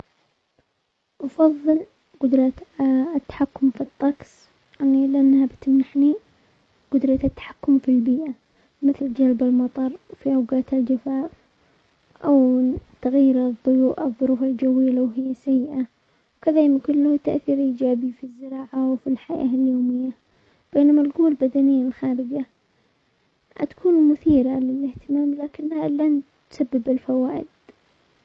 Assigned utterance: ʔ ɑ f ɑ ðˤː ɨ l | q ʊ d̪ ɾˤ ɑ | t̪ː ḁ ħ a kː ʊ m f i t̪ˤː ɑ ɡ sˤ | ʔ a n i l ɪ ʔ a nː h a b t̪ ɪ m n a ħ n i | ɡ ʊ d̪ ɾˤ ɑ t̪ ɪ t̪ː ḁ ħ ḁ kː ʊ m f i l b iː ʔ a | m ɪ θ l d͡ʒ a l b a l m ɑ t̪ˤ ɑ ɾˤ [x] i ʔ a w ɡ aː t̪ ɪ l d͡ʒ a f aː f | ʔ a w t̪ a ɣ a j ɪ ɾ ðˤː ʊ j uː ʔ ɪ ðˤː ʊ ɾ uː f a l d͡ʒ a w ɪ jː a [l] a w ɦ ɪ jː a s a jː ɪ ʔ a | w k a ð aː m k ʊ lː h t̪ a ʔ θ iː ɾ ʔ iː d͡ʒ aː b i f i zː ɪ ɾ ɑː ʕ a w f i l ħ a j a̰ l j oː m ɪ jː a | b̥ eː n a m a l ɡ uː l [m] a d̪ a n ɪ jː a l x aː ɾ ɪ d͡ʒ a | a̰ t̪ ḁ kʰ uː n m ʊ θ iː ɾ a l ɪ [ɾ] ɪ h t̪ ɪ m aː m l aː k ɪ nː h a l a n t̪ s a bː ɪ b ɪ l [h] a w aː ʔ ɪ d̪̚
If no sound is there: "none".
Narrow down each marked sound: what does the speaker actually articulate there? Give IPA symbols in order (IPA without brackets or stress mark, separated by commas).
f, l, b, l, f